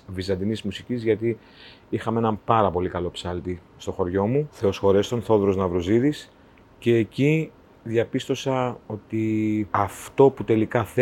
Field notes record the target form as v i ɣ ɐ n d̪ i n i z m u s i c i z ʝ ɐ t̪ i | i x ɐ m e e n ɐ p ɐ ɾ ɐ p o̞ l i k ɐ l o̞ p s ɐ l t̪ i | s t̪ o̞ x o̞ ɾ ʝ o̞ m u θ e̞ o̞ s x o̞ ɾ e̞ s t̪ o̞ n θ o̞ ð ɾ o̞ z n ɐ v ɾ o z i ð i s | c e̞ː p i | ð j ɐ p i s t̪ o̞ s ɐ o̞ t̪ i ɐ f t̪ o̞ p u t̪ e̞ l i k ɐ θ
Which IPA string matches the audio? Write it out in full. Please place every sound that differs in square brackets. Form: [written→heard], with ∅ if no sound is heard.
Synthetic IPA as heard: v i [ɣ→z] ɐ n d̪ i n i z m u s i c i z ʝ ɐ t̪ i | i x ɐ m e e n ɐ p ɐ ɾ ɐ p o̞ l i k ɐ l o̞ p s ɐ l t̪ i | s t̪ o̞ x o̞ ɾ ʝ o̞ m u θ e̞ o̞ s x o̞ ɾ e̞ s t̪ o̞ n θ o̞ ð ɾ o̞ z n ɐ v ɾ o z i ð i s | c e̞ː [p→c] i | ð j ɐ p i s t̪ o̞ s ɐ o̞ t̪ i ɐ f t̪ o̞ p u t̪ e̞ l i k ɐ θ